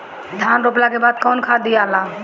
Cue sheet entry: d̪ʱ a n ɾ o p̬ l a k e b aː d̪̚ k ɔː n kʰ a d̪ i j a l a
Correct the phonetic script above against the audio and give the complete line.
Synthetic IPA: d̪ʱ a n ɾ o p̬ l a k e b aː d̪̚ k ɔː n kʰ a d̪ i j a l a